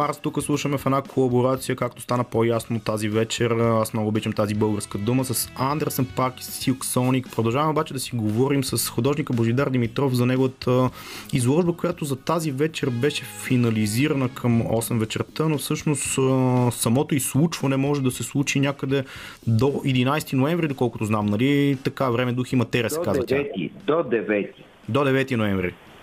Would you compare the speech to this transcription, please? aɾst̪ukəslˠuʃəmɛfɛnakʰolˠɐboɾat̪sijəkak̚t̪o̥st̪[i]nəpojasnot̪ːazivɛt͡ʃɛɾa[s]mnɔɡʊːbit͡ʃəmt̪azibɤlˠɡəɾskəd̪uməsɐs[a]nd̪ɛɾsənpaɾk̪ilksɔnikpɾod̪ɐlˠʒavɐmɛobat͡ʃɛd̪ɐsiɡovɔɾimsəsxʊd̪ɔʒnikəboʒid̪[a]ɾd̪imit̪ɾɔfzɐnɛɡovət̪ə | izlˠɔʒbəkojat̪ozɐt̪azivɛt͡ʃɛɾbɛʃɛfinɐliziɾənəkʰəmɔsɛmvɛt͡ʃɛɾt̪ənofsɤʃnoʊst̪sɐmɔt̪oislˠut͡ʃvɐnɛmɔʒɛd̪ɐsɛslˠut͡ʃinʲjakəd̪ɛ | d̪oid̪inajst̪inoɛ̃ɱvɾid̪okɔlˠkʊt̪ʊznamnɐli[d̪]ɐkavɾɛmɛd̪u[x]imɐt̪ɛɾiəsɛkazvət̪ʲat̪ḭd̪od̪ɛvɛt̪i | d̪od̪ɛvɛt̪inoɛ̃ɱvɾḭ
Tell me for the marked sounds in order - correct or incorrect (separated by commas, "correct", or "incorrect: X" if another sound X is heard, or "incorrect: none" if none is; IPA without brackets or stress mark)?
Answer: incorrect: a, correct, correct, correct, incorrect: t̪, correct